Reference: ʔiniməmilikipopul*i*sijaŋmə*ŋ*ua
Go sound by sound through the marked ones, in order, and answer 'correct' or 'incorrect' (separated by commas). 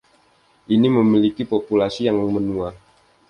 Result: incorrect, incorrect